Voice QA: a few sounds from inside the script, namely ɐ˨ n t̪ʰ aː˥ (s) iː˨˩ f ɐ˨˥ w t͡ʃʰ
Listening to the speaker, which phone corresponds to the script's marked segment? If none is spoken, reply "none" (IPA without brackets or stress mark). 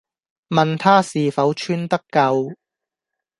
s